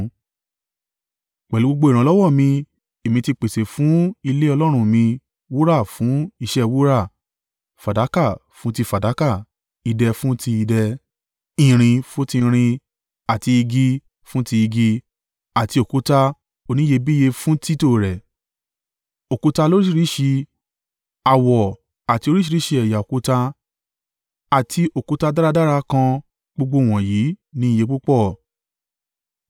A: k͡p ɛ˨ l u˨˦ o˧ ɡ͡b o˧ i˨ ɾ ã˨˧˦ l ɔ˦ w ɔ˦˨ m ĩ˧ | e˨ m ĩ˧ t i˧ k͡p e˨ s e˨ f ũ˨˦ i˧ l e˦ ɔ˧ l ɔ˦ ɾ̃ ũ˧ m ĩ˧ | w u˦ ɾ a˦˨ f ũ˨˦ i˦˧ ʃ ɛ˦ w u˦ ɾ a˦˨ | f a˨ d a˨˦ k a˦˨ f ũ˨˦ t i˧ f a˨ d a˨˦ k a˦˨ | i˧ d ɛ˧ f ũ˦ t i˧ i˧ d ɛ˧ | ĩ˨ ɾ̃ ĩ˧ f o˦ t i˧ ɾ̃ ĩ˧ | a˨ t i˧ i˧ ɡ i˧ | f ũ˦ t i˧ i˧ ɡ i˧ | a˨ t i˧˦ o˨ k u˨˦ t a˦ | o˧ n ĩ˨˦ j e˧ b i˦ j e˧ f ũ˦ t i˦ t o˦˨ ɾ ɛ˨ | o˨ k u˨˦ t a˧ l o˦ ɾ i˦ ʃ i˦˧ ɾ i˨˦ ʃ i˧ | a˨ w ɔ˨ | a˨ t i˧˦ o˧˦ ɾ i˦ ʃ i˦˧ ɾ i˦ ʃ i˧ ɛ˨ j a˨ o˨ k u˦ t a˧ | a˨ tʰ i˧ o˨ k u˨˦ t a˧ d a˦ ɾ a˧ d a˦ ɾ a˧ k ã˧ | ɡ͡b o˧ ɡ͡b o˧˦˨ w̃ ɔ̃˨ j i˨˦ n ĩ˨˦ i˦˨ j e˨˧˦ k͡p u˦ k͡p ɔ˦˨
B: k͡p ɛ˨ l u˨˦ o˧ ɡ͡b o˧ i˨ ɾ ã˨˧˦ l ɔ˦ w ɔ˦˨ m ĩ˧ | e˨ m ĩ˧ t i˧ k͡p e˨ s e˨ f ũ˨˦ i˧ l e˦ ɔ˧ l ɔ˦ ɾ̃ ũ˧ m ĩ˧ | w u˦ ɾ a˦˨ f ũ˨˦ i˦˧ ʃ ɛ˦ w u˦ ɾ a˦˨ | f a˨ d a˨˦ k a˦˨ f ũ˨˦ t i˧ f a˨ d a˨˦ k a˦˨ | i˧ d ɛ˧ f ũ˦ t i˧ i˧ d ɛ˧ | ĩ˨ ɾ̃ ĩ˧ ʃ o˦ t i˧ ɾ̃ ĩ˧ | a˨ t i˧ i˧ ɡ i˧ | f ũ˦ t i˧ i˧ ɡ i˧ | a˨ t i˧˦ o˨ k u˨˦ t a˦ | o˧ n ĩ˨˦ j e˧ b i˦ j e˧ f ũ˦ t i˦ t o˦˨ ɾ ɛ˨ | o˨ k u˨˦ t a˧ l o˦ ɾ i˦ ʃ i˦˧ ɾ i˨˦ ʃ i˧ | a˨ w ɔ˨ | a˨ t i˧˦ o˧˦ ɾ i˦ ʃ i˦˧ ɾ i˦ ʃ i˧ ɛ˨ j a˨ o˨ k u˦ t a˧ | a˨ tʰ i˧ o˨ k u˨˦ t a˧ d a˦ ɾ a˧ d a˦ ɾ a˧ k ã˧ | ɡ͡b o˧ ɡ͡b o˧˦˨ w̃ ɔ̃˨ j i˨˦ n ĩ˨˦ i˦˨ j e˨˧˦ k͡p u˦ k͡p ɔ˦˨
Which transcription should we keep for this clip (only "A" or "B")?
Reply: A